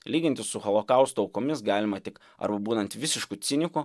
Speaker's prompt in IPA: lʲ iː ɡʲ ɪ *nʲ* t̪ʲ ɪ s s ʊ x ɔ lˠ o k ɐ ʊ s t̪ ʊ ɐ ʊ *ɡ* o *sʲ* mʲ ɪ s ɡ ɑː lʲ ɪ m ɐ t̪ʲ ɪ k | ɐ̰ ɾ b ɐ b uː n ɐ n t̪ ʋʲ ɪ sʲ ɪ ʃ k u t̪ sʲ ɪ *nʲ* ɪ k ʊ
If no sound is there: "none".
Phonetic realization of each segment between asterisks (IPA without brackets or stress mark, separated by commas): nʲ, k, none, nʲ